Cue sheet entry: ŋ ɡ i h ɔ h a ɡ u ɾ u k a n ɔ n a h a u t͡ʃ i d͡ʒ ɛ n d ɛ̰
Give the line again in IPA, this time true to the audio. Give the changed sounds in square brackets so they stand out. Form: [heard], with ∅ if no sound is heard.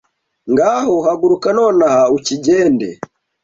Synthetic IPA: ŋ ɡ [a] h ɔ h a ɡ u ɾ u k a n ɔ n a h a u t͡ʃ i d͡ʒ ɛ n d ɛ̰